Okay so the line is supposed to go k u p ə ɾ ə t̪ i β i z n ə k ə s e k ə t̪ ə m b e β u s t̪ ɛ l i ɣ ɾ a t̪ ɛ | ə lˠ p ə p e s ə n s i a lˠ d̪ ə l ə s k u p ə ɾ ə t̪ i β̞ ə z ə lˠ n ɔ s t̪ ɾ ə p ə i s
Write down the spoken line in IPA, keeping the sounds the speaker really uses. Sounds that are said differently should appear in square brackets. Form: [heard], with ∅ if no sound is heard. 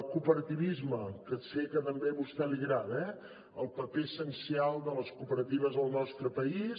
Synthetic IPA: k u p ə ɾ ə t̪ i β i z [m] ə k ə s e k ə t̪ ə m b e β u s t̪ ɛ l i ɣ ɾ a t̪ ɛ | ə lˠ p ə p e s ə n s i a lˠ d̪ ə l ə s k u p ə ɾ ə t̪ i β̞ ə z ə lˠ n ɔ s t̪ ɾ ə p ə i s

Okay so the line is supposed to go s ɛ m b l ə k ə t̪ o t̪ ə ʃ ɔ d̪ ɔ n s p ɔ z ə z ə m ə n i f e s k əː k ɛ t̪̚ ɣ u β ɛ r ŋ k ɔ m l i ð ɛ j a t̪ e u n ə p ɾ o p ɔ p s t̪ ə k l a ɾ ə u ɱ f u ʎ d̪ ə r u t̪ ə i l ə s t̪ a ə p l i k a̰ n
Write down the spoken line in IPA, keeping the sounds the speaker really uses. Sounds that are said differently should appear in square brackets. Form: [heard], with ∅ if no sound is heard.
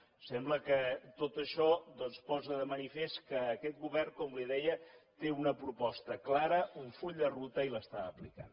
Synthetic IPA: s ɛ m b l ə k ə t̪ o t̪ ə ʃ ɔ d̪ ɔ n s p ɔ z ə [ð] ə m ə n i f e s k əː k ɛ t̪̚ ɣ u β ɛ r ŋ k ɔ m l i ð ɛ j [ə] t̪ e u n ə p ɾ [u] p ɔ [∅] s t̪ ə k l a ɾ ə u ɱ f u ʎ d̪ ə r u t̪ ə i l ə s t̪ a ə p l i k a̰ n

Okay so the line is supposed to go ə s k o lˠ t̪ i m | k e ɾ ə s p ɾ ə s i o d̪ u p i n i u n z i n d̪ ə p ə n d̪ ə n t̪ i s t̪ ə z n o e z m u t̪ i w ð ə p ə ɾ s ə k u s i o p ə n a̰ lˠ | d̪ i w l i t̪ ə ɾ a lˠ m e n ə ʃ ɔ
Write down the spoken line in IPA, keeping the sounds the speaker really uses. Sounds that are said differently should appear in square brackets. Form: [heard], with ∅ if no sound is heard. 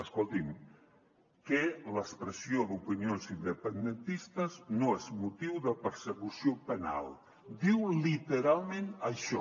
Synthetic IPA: ə s k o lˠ t̪ i m | k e [l] ə s p ɾ ə s i o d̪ u p i n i [o] n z i n d̪ ə p ə n d̪ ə n t̪ i s t̪ ə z n o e z m u t̪ i w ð ə p ə ɾ s ə k u s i o p ə n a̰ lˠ | d̪ i w l i t̪ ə ɾ a lˠ m e n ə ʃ ɔ

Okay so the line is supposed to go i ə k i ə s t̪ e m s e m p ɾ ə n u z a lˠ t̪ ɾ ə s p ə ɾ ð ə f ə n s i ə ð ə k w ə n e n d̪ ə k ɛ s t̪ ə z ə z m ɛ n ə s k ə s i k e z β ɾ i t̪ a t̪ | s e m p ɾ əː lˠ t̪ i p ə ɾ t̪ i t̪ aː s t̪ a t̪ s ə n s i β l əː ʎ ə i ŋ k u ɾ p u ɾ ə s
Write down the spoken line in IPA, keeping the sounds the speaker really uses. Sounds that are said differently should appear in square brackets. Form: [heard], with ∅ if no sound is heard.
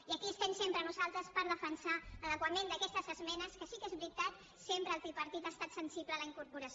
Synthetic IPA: i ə k i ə s t̪ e m s e m p ɾ ə n u z a lˠ t̪ ɾ ə s p ə ɾ ð ə f ə n s [a] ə ð ə k w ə [m] e n d̪ ə k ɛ s t̪ ə z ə z m ɛ n ə s k ə s i k e z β ɾ i t̪ a t̪ | s e m p ɾ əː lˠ t̪ i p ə ɾ t̪ i t̪ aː s t̪ a t̪ s ə n s i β l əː [l] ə i ŋ k u ɾ p u ɾ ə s

